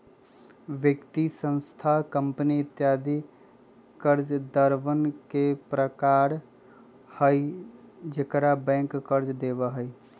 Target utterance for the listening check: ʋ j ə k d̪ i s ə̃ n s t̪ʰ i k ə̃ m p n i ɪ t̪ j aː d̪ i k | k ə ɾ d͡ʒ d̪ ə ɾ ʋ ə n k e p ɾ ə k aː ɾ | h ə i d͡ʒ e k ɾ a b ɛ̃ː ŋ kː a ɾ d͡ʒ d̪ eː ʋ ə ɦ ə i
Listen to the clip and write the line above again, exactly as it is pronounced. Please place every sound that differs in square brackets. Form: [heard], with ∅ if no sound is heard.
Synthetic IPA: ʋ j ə k [t̪] i s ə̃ n s t̪ʰ [a] k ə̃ m p n i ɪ t̪ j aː d̪ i [∅] | k ə ɾ d͡ʒ d̪ ə ɾ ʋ ə n k e p ɾ ə k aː ɾ | h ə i d͡ʒ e k ɾ a b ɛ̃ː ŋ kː [ə] ɾ d͡ʒ d̪ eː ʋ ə ɦ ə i